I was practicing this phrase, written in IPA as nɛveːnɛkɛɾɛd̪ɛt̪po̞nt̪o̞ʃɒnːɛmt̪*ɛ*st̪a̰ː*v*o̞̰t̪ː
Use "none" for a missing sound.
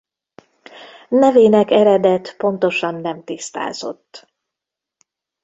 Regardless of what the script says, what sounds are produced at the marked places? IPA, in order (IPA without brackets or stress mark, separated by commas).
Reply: i, z